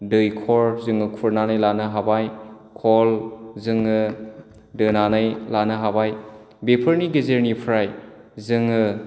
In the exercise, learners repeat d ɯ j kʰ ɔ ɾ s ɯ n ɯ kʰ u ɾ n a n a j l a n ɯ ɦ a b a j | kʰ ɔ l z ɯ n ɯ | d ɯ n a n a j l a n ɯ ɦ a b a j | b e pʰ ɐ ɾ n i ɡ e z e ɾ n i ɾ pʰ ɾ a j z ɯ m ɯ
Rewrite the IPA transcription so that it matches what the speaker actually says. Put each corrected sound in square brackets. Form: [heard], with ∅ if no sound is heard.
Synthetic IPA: d ɯ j kʰ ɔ ɾ [z] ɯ [ŋ] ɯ kʰ u ɾ n a n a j l a n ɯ ɦ a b a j | kʰ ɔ l z ɯ [ŋ] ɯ | d ɯ n a n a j l a n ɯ ɦ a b a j | b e pʰ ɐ ɾ n i ɡ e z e ɾ n i [∅] pʰ ɾ a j z ɯ [ŋ] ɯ